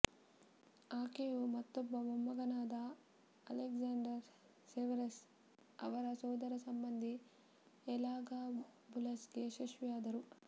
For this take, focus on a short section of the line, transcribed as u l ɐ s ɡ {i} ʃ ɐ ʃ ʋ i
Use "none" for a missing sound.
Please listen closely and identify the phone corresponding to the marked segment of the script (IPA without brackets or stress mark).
e